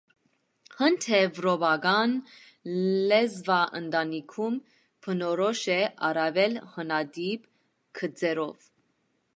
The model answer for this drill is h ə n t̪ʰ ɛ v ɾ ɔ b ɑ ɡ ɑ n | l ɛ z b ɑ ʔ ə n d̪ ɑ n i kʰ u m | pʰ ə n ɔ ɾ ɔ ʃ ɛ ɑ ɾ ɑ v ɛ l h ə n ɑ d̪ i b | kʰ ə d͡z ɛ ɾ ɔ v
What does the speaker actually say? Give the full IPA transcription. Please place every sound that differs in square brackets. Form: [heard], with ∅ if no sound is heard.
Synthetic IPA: h ə n t̪ʰ ɛ v ɾ ɔ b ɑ ɡ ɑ n | l ɛ z [v] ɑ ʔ ə n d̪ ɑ n i kʰ u m | pʰ ə n ɔ ɾ ɔ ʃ ɛ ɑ ɾ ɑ v ɛ l h ə n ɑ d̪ i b | kʰ ə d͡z ɛ ɾ ɔ v